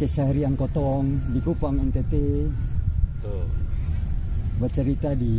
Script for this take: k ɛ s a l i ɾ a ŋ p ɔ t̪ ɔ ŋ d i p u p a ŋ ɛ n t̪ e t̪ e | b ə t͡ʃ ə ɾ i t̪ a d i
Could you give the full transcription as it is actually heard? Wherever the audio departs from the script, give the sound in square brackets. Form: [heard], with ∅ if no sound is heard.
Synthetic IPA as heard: k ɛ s a [ɾ] i [∅] a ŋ [k] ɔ t̪ ɔ ŋ d i [k] u p a ŋ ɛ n t̪ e t̪ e | b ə t͡ʃ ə ɾ i t̪ a d i